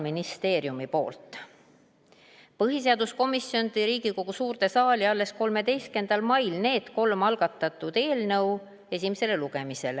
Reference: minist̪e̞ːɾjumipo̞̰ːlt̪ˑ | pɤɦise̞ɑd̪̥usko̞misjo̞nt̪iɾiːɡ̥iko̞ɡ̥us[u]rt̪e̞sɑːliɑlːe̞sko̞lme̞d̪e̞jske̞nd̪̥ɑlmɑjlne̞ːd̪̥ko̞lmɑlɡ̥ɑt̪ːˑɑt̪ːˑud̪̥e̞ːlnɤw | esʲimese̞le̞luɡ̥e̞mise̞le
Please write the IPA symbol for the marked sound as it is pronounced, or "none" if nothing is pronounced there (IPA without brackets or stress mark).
uː